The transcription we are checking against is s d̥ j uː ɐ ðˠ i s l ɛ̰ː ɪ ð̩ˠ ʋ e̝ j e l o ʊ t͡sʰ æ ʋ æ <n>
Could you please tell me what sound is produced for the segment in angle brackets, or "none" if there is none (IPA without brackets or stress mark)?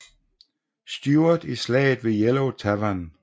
n